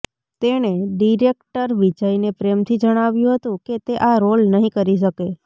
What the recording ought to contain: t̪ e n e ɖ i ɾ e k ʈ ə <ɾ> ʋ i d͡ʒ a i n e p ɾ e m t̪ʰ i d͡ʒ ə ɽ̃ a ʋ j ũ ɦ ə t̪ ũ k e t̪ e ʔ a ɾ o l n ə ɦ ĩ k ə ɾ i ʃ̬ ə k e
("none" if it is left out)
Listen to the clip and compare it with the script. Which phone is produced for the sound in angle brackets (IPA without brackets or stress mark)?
ɾ